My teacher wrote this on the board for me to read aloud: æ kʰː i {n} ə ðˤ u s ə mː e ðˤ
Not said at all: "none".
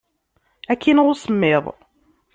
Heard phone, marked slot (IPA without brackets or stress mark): n